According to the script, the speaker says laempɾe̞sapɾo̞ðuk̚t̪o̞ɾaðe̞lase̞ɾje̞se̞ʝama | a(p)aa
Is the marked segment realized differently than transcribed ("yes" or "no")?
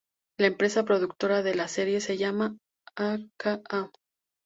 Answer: yes